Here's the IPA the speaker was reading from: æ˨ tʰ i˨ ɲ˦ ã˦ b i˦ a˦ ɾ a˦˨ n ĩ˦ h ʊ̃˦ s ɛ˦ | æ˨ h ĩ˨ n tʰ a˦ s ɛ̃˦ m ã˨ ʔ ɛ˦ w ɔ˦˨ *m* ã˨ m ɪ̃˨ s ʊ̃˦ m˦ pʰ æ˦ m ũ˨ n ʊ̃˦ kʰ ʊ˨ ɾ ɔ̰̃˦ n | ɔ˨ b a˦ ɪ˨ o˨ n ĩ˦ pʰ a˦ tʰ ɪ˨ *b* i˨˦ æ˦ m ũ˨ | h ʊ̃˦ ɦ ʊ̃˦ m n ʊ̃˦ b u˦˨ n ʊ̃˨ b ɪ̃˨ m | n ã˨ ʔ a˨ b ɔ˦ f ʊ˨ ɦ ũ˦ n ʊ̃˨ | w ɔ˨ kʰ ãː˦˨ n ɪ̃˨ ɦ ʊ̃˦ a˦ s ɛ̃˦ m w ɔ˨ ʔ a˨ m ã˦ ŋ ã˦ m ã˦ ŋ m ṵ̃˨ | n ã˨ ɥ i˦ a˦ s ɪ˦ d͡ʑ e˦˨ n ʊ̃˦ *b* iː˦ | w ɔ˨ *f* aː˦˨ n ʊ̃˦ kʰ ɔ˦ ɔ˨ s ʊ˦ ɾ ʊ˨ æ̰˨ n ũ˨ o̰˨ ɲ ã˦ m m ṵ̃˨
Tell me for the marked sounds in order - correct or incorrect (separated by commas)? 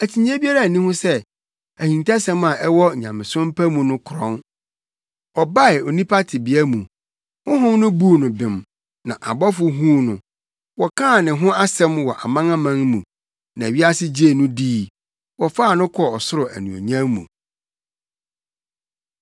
incorrect, correct, incorrect, correct